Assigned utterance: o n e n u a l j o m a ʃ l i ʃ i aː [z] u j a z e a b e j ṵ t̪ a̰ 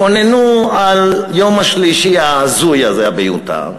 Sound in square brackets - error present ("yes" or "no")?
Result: no